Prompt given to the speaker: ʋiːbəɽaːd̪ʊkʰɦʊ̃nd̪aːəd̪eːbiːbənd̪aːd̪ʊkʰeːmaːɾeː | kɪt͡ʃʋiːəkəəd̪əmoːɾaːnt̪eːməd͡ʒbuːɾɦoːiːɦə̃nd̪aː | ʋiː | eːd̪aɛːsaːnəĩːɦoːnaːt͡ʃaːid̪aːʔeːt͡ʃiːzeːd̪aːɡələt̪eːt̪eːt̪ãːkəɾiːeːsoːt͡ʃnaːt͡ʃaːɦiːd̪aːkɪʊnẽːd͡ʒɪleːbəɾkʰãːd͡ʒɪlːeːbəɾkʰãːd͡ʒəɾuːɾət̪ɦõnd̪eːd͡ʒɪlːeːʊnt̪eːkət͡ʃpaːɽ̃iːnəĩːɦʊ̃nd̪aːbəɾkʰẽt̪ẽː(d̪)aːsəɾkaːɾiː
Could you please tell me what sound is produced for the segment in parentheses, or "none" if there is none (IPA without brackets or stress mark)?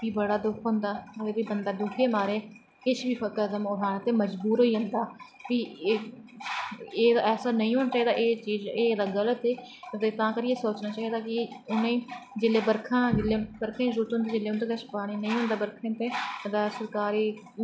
d̪